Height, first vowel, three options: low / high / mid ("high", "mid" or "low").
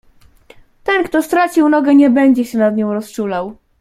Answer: mid